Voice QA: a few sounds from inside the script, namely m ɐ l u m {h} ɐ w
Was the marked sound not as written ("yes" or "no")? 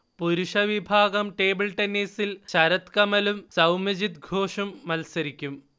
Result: yes